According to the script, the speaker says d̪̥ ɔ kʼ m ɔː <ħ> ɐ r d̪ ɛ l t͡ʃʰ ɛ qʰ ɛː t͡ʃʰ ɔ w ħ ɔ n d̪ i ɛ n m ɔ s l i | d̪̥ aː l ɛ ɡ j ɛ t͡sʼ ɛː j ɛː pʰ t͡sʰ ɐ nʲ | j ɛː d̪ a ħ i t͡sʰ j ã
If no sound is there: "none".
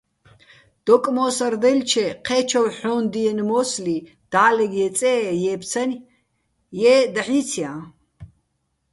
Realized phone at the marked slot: s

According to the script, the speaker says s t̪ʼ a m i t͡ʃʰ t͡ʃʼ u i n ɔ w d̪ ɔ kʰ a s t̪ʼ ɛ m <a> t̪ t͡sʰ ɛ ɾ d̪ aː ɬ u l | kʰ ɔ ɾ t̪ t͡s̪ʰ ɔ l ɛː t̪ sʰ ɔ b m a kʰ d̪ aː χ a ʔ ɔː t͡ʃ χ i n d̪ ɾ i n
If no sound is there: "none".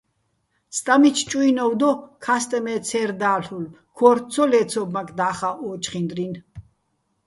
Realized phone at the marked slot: ɛ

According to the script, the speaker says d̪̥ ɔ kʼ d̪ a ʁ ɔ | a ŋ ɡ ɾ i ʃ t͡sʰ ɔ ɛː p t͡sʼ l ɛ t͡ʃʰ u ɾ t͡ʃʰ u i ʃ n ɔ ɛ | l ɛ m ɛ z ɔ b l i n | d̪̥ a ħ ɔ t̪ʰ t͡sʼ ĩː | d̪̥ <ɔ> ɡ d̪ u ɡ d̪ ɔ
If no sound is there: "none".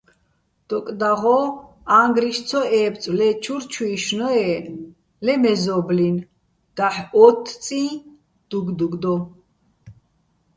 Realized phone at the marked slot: u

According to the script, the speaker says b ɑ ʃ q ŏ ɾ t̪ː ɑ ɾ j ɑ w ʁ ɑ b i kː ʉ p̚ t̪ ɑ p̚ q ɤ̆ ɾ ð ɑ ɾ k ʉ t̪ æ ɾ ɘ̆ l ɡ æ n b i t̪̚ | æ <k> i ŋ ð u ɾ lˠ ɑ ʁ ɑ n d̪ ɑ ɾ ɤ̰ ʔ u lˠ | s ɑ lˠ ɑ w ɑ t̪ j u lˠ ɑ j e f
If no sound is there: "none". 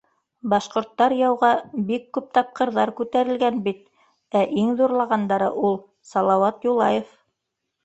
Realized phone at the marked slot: ʔ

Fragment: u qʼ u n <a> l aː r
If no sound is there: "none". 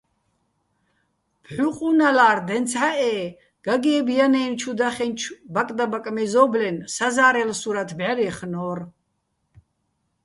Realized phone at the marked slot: a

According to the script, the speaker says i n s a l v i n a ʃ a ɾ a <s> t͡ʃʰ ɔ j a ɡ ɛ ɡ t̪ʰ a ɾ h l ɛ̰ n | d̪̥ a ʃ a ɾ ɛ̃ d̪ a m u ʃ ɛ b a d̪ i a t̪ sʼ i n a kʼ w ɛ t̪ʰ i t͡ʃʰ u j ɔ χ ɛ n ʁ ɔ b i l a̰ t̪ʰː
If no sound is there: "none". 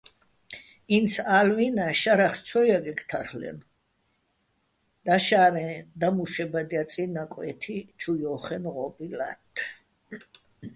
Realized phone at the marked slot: χ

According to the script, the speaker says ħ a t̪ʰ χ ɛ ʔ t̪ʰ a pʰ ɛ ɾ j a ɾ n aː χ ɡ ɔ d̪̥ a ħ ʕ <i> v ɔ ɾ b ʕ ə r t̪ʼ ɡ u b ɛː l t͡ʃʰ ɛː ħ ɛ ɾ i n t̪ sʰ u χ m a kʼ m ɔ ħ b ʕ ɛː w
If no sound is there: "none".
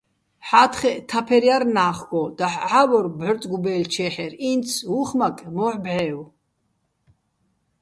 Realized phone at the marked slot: a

